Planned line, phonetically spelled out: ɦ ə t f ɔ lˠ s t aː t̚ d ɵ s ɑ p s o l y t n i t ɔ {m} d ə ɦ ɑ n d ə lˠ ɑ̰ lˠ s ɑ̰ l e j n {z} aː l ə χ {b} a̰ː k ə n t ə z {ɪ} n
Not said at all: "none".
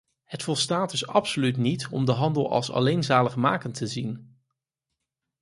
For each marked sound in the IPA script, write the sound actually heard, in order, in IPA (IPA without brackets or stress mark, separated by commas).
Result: m, z, m, i